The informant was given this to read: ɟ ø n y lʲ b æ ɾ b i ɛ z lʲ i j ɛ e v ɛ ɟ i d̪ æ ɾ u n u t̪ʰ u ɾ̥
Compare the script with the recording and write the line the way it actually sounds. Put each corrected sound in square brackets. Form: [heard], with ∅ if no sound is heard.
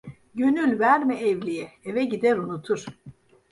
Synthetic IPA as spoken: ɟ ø n y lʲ [v] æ ɾ [m] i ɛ [v] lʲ i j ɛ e v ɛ ɟ i d̪ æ ɾ u n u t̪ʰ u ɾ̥